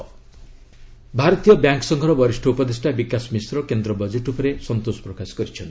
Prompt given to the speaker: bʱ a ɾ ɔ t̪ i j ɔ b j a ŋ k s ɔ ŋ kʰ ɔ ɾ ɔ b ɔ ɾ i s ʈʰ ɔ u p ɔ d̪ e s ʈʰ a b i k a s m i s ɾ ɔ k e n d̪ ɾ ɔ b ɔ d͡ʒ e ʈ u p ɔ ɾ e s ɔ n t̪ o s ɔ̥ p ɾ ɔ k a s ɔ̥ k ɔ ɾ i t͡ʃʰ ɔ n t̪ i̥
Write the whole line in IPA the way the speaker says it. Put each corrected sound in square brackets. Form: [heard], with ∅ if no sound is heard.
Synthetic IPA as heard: bʱ a ɾ ɔ t̪ i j ɔ b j a ŋ k s ɔ ŋ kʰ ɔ ɾ ɔ b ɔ ɾ i s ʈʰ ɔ u p ɔ d̪ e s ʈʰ a b i k a s m i s ɾ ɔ k e n d̪ ɾ ɔ b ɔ d͡ʒ e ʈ u p ɔ ɾ e s ɔ n t̪ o s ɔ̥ p ɾ ɔ k a s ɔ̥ k ɔ ɾ i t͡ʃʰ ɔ n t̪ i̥

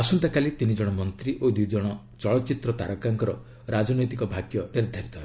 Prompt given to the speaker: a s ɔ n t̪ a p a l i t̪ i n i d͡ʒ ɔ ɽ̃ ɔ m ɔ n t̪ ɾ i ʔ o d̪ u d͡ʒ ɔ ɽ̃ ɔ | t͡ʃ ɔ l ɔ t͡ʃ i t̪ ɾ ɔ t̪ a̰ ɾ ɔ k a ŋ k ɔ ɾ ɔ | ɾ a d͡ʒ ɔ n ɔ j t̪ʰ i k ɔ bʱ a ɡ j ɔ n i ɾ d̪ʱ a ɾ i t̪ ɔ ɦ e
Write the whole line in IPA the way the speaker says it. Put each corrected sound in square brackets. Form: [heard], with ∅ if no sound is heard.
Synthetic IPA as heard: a s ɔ n t̪ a [k] a l i t̪ i n i d͡ʒ ɔ ɽ̃ ɔ m ɔ n t̪ ɾ i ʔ o d̪ u d͡ʒ ɔ ɽ̃ ɔ | t͡ʃ ɔ [ɭ] ɔ t͡ʃ i t̪ ɾ ɔ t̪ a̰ ɾ ɔ k a ŋ k ɔ ɾ ɔ | ɾ a d͡ʒ ɔ n ɔ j [t̪] i k ɔ bʱ a ɡ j ɔ n i ɾ d̪ʱ a ɾ i t̪ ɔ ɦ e

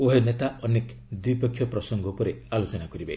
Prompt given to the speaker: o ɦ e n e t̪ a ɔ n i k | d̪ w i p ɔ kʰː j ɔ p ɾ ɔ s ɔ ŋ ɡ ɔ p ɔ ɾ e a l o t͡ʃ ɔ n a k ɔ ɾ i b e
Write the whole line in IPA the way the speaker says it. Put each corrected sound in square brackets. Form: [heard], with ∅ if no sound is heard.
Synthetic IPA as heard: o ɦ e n e t̪ a ɔ n [e] k | d̪ w i p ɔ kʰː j ɔ p ɾ ɔ s ɔ ŋ ɡ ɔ p ɔ ɾ e a l o t͡ʃ ɔ n a k ɔ ɾ i b e

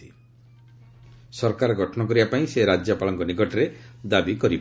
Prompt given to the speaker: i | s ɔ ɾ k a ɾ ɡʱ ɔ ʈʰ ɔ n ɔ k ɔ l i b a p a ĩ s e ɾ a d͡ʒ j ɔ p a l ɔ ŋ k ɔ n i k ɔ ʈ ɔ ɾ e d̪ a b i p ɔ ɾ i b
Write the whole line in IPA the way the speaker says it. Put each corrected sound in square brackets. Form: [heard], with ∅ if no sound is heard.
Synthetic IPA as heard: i | s ɔ ɾ k a ɾ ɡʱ ɔ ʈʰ ɔ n ɔ k ɔ [ɾ] i b a p a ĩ s e ɾ a d͡ʒ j ɔ p a l ɔ ŋ k ɔ n i k ɔ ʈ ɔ ɾ e d̪ a b i [k] ɔ ɾ i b

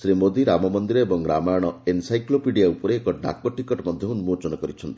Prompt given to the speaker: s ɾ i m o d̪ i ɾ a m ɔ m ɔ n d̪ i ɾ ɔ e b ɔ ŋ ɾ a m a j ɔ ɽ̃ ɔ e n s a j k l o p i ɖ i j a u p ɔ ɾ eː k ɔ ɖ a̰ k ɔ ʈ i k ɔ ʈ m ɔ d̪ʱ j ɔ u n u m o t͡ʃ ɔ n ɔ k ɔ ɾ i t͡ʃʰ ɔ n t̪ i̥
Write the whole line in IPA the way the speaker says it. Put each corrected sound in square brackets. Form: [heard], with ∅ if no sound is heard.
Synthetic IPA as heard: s ɾ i m o d̪ i ɾ a m ɔ m ɔ n d̪ i ɾ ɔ e b ɔ ŋ ɾ a m a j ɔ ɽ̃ ɔ e n s a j k l o p i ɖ i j a u p ɔ ɾ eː k ɔ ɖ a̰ k ɔ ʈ i k ɔ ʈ m ɔ d̪ʱ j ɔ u n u m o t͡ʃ ɔ n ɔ k ɔ ɾ i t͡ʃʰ ɔ n t̪ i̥

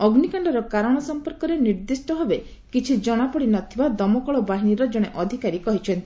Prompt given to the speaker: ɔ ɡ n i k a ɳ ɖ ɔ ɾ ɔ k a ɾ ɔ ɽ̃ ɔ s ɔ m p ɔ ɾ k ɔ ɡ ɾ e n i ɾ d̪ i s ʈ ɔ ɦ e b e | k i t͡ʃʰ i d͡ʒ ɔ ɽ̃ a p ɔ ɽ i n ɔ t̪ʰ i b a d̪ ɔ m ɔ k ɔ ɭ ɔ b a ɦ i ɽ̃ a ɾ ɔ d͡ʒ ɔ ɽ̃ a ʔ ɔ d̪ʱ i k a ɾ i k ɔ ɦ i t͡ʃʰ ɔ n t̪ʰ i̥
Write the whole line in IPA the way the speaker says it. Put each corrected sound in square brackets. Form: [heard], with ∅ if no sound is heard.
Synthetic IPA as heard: ɔ ɡ n i k a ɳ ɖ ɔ ɾ ɔ k a ɾ ɔ ɽ̃ ɔ s ɔ m p ɔ ɾ k ɔ [∅] ɾ e n i ɾ d̪ i s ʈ ɔ ɦ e b e | k i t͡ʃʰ i d͡ʒ ɔ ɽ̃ a p ɔ ɽ i n ɔ t̪ʰ i b a d̪ ɔ m ɔ k ɔ ɭ ɔ b a ɦ i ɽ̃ [i] ɾ ɔ d͡ʒ ɔ ɽ̃ [e] ʔ ɔ d̪ʱ i k a ɾ i k ɔ ɦ i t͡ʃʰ ɔ n [t̪] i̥

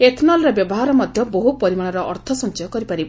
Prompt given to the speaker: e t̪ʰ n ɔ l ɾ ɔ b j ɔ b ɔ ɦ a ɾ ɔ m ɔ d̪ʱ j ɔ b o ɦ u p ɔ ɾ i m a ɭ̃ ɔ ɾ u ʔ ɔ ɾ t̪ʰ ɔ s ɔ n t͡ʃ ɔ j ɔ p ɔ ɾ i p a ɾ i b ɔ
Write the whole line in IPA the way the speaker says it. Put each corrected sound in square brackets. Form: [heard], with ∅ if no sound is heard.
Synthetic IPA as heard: e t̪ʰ n ɔ l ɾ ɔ b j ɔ b ɔ ɦ a ɾ ɔ m ɔ d̪ʱ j ɔ b o ɦ u p ɔ ɾ i m a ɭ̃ ɔ ɾ [ɔ] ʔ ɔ ɾ t̪ʰ ɔ s ɔ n t͡ʃ ɔ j ɔ [k] ɔ ɾ i p a ɾ i b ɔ

